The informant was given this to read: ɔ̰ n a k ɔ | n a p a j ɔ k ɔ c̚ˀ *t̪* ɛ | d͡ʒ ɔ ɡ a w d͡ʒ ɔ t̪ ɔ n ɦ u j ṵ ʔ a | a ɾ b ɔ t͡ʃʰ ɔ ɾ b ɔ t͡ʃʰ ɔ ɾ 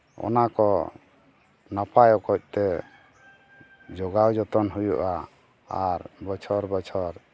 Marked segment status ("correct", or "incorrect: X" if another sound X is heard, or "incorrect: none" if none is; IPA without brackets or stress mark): correct